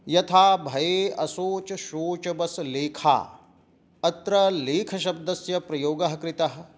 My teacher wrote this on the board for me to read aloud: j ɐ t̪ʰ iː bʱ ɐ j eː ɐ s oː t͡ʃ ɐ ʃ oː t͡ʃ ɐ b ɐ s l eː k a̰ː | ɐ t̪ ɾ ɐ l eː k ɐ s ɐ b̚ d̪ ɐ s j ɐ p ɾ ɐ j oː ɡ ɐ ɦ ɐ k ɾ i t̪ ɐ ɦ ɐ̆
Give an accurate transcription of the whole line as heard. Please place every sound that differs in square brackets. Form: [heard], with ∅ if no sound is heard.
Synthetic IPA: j ɐ t̪ʰ [aː] bʱ ɐ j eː ɐ s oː t͡ʃ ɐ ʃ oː t͡ʃ ɐ b ɐ s l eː [kʰ] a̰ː | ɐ t̪ ɾ ɐ l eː [kʰ] ɐ [ʃ] ɐ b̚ d̪ ɐ s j ɐ p ɾ ɐ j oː ɡ ɐ ɦ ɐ k ɾ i t̪ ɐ ɦ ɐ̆